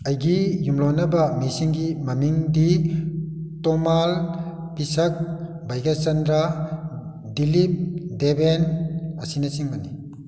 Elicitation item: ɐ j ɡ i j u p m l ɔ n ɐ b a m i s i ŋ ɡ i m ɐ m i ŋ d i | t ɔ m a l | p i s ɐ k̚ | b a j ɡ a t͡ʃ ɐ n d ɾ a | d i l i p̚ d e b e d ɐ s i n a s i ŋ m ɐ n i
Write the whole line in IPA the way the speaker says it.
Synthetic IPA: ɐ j ɡ i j u m l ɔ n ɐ b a m i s i ŋ ɡ i m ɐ m i ŋ d i | t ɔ m a l | p i s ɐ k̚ | b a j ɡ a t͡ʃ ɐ n d ɾ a | d i l i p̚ d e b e n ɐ s i n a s i ŋ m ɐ n i